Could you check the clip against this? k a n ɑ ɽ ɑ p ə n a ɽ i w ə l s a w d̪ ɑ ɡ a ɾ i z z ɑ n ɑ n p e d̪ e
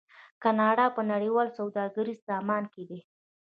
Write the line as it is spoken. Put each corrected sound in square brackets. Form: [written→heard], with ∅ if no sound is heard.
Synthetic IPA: k a n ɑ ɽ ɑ p ə n a ɽ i w [ə→ɑ] l s a w d̪ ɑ ɡ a ɾ i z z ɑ [n→m] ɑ n [p→k] e d̪ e